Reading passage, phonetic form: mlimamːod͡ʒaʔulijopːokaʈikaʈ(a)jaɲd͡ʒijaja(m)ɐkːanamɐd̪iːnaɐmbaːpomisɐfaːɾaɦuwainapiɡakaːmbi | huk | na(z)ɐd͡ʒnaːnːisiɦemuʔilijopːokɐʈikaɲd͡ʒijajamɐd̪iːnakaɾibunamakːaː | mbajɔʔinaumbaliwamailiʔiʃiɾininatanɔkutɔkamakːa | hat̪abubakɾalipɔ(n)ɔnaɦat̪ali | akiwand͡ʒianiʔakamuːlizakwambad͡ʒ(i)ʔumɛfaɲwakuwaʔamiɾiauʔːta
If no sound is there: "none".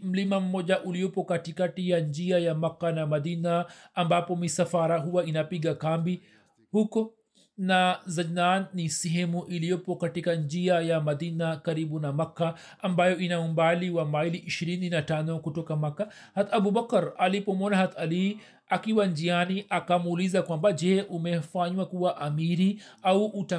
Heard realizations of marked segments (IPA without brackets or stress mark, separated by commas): i, m, z, m, ɛ